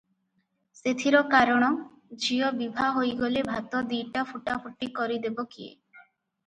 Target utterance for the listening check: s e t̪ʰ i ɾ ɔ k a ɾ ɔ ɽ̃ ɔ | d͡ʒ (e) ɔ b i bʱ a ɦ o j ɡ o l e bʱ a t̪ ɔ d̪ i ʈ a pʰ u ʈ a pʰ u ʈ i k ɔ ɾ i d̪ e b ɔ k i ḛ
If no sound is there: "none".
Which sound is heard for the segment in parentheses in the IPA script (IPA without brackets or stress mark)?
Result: i